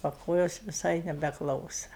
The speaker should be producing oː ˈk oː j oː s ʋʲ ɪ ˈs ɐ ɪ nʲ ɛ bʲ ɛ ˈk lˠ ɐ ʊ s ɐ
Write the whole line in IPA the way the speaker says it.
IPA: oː ˈk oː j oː s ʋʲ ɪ ˈs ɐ ɪ nʲ ɛ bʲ ɛ ˈk lˠ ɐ ʊ s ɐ

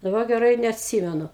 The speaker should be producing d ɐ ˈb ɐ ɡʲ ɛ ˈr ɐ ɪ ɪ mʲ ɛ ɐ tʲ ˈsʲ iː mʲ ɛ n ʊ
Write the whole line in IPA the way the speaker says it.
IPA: d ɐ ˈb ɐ ɡʲ ɛ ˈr ɐ ɪ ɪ nʲ ɛ ɐ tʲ ˈsʲ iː mʲ ɛ n ʊ

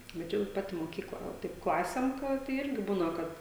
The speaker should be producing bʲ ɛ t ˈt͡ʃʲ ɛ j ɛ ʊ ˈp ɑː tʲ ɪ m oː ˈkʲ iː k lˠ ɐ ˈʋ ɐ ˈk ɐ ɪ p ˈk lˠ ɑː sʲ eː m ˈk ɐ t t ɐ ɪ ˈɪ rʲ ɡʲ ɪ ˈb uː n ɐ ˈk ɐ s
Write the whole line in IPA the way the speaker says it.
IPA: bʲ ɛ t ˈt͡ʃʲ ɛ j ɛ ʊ ˈp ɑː tʲ ɪ m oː ˈkʲ iː k lˠ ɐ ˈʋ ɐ ˈt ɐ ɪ p ˈk lˠ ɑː sʲ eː m ˈk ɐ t t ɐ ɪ ˈɪ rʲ ɡʲ ɪ ˈb uː n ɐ ˈk ɐ t

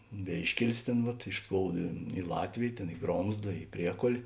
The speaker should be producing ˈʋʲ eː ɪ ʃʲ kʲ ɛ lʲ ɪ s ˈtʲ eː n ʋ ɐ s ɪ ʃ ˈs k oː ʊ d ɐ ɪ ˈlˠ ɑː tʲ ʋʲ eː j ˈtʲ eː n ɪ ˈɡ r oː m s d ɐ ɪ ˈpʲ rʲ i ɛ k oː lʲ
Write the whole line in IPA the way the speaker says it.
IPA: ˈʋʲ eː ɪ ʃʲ kʲ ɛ lʲ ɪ s ˈtʲ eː n ʋ ɐ t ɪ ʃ ˈs k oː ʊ d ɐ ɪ ˈlˠ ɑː tʲ ʋʲ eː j ˈtʲ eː n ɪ ˈɡ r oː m z d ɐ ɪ ˈpʲ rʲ i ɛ k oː lʲ

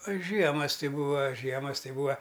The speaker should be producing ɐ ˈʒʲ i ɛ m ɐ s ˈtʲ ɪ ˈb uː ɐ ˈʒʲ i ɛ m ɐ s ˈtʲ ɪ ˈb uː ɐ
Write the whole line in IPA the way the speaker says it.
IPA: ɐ ˈʒʲ i ɛ m ɐ s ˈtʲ ɪ ˈb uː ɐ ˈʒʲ i ɛ m ɐ s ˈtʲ ɪ ˈb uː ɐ

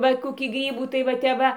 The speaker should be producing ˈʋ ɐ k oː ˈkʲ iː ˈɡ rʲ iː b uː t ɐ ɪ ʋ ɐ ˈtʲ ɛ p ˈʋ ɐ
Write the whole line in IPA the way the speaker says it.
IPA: ˈʋ ɐ k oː ˈkʲ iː ˈɡ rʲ iː b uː t ɐ ɪ ʋ ɐ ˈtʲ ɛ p ˈʋ ɐ

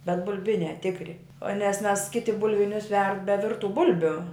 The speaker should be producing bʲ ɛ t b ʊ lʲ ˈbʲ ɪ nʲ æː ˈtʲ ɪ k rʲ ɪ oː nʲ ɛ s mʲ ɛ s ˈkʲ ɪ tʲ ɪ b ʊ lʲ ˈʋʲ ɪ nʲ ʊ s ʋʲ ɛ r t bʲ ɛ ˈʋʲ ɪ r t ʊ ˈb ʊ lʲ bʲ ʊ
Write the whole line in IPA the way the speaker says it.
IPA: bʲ ɛ t b ʊ lʲ ˈbʲ ɪ nʲ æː ˈtʲ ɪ k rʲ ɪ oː nʲ ɛ s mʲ ɛ s ˈkʲ ɪ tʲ ɪ b ʊ lʲ ˈʋʲ ɪ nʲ ʊ s ʋʲ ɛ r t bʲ ɛ ˈʋʲ ɪ r t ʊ ˈb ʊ lʲ bʲ ʊ

